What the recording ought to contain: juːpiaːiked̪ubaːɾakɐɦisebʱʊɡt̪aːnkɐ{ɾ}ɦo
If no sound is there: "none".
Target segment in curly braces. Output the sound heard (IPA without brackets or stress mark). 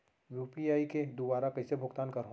ɾ